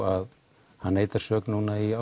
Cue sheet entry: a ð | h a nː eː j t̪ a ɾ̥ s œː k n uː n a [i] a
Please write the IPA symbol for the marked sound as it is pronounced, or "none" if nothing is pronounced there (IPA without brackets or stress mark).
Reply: i